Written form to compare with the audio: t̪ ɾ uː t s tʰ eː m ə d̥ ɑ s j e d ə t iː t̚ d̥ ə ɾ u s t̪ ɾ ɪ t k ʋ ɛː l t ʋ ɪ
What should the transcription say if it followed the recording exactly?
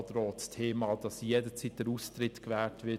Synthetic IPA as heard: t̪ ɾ ɔː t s tʰ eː m ɑ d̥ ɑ s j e d ə t͡s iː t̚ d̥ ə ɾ u s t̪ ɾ ɪ t k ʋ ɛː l t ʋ ɪ